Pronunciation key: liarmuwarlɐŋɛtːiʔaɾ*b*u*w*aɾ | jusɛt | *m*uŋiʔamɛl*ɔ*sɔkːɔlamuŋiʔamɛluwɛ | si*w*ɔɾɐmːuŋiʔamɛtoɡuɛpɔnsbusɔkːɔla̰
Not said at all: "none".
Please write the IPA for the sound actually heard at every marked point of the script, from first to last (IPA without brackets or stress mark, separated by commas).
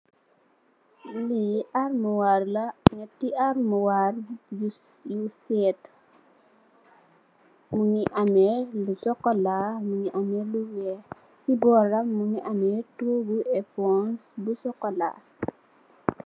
m, w, m, u, b